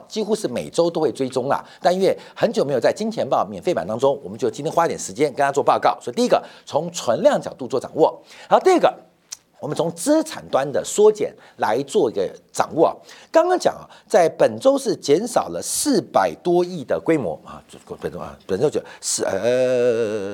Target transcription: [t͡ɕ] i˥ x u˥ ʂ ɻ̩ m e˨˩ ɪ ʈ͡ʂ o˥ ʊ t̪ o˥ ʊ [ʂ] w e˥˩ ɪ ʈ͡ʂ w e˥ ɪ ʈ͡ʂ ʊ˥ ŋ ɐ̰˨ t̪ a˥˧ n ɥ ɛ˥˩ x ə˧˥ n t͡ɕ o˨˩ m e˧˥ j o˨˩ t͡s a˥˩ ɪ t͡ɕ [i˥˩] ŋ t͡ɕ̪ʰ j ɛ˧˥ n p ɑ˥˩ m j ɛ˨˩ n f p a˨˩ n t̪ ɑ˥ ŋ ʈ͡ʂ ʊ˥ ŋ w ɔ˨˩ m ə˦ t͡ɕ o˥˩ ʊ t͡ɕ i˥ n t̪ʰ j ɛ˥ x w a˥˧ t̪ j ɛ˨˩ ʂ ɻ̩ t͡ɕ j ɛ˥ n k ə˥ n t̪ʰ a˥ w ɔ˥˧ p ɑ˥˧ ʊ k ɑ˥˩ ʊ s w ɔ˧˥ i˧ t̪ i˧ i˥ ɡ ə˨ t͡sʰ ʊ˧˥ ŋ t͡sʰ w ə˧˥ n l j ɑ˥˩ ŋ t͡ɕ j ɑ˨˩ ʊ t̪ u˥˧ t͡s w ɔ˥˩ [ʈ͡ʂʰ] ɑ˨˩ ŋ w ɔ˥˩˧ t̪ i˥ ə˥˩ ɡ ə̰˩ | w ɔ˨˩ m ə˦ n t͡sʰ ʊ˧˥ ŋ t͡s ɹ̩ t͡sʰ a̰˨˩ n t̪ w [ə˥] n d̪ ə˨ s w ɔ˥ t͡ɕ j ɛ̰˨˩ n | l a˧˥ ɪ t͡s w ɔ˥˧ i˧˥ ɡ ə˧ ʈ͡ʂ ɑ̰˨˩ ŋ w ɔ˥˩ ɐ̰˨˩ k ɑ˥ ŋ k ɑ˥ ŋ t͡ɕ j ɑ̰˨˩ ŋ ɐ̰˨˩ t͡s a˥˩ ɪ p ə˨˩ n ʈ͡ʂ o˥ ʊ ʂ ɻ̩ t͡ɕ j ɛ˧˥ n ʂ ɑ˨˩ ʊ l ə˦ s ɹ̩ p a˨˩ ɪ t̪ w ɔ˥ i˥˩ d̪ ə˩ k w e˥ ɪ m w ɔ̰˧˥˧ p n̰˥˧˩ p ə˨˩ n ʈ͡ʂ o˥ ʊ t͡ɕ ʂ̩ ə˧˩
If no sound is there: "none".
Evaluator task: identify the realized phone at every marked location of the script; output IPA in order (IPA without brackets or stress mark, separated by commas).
t͡ɕ, x, i˥, ʈ͡ʂ, a˥